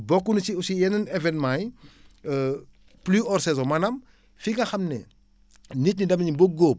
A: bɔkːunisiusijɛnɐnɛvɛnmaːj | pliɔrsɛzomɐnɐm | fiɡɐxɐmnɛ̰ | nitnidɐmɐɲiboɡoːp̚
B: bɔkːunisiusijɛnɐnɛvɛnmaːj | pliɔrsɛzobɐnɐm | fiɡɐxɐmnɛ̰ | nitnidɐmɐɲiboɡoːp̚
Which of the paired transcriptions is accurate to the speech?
A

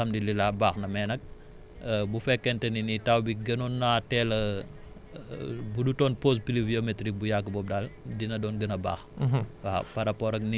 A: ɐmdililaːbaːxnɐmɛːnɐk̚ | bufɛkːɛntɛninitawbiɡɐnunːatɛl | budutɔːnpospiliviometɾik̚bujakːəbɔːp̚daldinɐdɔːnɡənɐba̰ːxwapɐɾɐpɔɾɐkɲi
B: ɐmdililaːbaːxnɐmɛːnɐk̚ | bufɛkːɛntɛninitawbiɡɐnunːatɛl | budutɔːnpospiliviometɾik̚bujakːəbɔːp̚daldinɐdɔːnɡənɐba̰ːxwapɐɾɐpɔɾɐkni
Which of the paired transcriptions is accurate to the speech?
B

